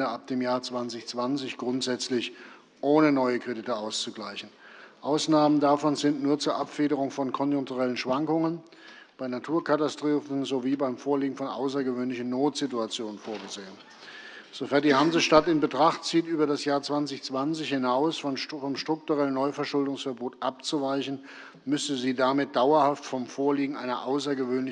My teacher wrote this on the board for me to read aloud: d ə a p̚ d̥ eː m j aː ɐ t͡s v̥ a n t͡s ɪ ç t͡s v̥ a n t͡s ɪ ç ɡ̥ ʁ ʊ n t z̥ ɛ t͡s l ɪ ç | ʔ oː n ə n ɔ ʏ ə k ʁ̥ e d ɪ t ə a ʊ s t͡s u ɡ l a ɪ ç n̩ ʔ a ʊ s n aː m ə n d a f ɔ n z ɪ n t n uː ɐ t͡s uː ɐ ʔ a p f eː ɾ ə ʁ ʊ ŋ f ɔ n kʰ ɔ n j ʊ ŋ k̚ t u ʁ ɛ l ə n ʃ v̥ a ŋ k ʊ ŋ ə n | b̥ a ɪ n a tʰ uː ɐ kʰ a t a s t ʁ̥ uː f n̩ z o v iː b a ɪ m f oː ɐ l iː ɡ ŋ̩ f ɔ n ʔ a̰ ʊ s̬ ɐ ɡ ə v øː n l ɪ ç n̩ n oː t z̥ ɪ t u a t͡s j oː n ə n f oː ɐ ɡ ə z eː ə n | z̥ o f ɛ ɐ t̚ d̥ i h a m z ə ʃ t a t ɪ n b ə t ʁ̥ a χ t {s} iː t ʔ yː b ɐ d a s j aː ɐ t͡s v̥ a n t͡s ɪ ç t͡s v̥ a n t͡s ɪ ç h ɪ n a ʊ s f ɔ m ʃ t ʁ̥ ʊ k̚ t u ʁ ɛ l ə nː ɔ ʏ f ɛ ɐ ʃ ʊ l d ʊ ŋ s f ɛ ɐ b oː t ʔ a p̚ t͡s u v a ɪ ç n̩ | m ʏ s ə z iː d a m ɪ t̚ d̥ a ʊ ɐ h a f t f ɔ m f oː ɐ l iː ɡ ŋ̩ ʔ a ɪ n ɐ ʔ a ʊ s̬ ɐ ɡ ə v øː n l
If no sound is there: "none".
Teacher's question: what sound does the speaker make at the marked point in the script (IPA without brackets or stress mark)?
t͡s